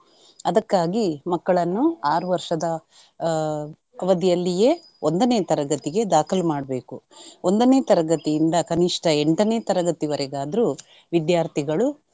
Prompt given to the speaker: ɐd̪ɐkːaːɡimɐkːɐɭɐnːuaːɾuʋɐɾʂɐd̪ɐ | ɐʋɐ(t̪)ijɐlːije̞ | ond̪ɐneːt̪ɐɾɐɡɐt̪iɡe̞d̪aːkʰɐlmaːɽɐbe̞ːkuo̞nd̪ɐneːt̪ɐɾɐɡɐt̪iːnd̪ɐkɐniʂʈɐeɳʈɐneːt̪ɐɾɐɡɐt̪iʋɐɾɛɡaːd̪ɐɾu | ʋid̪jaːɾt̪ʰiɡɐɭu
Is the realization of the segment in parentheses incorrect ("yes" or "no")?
yes